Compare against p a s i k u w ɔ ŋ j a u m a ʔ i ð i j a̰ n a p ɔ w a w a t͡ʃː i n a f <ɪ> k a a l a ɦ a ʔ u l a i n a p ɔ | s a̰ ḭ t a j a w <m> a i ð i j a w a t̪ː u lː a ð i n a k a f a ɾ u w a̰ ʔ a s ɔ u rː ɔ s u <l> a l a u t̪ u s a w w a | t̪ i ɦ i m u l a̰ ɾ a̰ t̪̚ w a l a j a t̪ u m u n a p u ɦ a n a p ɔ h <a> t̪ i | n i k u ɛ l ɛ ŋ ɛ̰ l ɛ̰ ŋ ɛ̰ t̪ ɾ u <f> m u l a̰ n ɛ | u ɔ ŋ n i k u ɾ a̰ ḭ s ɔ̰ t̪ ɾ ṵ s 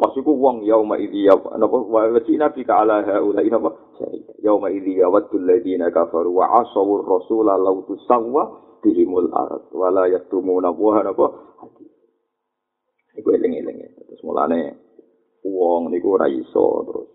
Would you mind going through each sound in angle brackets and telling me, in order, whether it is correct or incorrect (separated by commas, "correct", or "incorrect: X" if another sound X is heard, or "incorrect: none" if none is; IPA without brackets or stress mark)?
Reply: incorrect: i, correct, correct, correct, incorrect: s